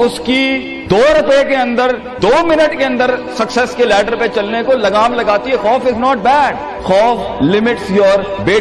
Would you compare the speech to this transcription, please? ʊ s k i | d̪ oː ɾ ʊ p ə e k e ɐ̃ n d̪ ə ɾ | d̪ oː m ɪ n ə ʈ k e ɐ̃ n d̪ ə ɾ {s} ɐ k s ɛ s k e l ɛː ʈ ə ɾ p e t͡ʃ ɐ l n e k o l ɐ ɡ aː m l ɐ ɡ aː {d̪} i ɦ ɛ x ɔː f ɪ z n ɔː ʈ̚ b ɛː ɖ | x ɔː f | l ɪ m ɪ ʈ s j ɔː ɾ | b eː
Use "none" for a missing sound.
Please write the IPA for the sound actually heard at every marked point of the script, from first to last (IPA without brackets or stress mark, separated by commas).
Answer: s, t̪